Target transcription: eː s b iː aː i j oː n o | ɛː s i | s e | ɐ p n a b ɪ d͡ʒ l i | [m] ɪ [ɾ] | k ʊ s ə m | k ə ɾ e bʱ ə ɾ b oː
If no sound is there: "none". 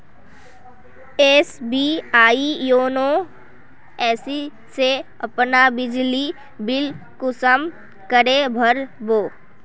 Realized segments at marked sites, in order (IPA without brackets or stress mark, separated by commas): b, l